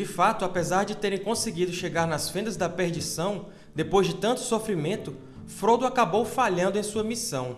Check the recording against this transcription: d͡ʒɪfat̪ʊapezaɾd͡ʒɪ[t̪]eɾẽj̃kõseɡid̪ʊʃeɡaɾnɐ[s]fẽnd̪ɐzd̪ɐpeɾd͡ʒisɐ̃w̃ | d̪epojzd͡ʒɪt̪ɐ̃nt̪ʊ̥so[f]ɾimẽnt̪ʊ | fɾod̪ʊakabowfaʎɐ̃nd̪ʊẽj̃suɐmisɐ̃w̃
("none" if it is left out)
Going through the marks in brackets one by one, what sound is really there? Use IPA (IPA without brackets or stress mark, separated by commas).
t̪, s, f